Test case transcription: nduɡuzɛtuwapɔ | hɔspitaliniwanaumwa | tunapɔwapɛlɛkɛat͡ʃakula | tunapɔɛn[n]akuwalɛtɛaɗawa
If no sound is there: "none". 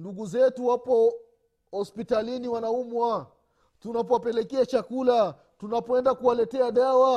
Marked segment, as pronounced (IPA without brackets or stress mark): d